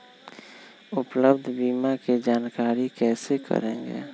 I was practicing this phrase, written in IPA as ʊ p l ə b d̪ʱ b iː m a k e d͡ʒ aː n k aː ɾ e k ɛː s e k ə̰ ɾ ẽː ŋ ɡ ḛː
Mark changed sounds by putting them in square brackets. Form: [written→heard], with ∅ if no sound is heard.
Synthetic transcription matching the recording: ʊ p l ə b d̪ʱ b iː m a k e d͡ʒ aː n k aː ɾ [e→i] k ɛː s e k ə̰ ɾ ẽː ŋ ɡ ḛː